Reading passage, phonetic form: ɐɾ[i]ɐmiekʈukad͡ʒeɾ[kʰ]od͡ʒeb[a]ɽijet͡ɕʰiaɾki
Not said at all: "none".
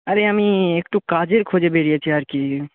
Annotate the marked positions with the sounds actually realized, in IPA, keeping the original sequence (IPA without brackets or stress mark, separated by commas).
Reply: e, kʰ, e